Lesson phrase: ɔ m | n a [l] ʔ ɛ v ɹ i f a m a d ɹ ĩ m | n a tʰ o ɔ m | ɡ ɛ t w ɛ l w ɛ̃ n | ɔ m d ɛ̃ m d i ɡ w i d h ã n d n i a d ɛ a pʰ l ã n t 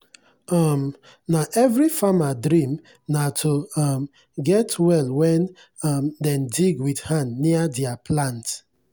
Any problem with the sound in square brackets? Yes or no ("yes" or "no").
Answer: yes